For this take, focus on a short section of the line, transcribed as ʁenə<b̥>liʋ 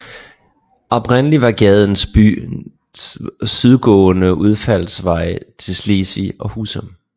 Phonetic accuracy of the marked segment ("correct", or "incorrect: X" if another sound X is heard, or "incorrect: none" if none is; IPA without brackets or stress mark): incorrect: none